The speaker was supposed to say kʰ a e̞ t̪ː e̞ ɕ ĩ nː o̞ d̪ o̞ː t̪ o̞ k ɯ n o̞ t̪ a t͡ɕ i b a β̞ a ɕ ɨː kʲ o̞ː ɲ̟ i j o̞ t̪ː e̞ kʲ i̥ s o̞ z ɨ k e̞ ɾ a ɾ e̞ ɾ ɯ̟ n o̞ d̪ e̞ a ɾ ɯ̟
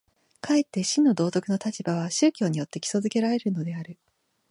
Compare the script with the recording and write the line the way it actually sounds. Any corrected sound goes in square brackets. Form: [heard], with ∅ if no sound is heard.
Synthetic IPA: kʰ a e̞ t̪ː e̞ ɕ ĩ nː o̞ d̪ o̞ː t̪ o̞ k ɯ n o̞ t̪ a t͡ɕ i b a β̞ a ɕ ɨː kʲ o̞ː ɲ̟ i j o̞ t̪ː e̞ kʲ i̥ s o̞ z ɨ k e̞ ɾ a ɾ e̞ ɾ ɯ̟ n o̞ d̪ e̞ a ɾ ɯ̟